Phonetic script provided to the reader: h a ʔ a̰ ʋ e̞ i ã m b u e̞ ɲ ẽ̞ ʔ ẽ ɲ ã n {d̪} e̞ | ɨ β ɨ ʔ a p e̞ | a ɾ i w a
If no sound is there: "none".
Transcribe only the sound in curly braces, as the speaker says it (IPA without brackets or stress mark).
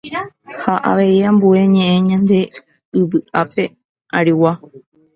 d̪